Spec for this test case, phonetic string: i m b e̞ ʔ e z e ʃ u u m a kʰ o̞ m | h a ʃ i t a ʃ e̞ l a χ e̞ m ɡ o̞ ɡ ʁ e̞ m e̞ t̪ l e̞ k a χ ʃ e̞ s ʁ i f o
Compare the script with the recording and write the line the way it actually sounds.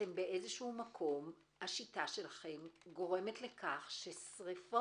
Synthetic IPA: e m b e̞ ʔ e z e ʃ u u m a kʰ o̞ m | h a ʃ i t a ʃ e̞ l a χ e̞ m ɡ o̞ ʁ e̞ m e̞ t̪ l e̞ k a χ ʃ e̞ s ʁ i f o